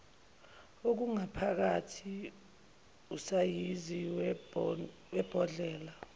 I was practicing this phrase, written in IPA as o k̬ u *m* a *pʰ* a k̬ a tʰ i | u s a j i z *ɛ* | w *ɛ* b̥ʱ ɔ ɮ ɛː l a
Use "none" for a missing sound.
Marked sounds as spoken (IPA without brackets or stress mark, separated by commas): ŋ, pʰ, i, ɛ